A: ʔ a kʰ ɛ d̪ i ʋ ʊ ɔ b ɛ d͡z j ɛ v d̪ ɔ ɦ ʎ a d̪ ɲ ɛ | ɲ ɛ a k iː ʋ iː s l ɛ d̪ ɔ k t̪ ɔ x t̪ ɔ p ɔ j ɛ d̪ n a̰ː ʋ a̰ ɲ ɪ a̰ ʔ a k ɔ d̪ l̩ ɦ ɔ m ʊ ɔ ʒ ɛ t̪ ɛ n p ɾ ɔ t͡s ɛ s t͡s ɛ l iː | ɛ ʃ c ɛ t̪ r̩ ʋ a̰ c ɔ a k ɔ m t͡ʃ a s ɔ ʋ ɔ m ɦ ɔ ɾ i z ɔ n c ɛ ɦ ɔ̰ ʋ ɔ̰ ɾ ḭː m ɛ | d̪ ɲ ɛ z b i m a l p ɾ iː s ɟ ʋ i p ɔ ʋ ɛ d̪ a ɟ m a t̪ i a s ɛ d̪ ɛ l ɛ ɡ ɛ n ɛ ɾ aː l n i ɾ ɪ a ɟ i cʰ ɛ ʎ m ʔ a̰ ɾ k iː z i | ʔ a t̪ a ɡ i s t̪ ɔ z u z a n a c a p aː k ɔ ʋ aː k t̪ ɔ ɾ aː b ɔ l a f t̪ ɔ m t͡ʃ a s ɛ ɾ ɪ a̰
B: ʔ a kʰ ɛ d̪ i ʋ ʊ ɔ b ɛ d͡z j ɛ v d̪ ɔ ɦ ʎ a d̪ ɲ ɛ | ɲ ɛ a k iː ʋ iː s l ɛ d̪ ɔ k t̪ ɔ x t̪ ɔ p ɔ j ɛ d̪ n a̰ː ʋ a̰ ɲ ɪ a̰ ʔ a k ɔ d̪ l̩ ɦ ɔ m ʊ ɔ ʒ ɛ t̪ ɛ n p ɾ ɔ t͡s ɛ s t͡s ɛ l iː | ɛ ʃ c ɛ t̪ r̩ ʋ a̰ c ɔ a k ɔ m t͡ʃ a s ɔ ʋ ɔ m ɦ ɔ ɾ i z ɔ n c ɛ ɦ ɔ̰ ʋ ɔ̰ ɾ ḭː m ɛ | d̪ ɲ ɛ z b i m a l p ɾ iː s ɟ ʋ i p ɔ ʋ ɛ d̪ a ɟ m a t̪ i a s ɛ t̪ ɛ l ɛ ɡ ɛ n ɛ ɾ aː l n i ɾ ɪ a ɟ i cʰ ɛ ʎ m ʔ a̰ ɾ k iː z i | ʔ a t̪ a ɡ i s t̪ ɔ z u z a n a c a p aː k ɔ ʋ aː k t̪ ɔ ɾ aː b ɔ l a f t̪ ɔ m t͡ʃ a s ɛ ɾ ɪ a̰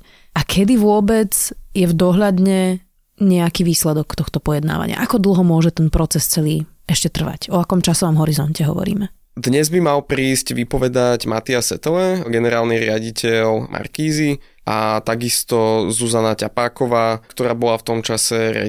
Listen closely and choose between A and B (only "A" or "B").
B